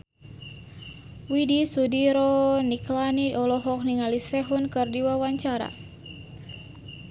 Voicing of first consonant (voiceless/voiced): voiced